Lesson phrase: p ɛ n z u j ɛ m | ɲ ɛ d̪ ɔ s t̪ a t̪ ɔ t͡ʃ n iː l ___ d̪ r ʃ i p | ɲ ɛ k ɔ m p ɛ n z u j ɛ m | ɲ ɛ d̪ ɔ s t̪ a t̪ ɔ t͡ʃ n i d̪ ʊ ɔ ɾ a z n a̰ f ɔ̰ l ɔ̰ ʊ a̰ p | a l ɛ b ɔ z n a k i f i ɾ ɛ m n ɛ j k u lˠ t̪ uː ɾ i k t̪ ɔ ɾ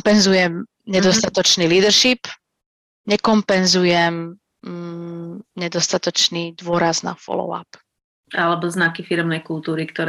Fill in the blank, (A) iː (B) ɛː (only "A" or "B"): A